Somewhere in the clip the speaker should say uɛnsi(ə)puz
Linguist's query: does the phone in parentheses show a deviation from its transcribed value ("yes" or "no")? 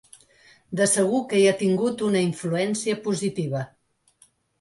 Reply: no